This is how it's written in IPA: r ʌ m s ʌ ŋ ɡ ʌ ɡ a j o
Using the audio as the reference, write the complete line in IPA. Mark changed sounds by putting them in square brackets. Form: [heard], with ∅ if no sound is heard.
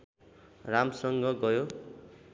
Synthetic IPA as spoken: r [a] m s ʌ ŋ ɡ ʌ ɡ [ʌ] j o